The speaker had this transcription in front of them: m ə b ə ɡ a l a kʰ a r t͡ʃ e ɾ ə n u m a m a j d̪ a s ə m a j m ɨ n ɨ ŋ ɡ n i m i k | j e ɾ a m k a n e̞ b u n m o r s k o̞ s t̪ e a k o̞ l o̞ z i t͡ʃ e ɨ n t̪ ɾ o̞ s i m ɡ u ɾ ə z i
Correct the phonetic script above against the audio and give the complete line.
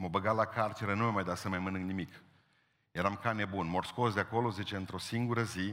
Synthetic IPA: m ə b ə ɡ a l a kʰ a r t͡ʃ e ɾ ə n u m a m a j d̪ a s ə m a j m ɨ n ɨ ŋ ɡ n i m i k | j e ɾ a m k a n e̞ b u n m o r s k o̞ s d̪ e a k o̞ l o̞ z i t͡ʃ e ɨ n t̪ ɾ o̞ s i ŋ ɡ u ɾ ə z i